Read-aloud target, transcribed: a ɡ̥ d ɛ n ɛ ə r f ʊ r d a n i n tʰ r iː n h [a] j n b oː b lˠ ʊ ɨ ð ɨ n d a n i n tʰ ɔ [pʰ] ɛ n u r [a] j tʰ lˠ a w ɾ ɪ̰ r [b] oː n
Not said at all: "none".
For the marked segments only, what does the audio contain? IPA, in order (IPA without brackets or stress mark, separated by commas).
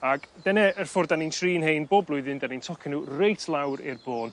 e, kʰ, e, b